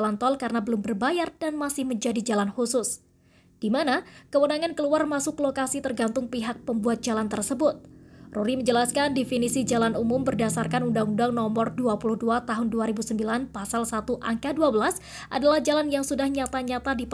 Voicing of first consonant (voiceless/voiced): voiced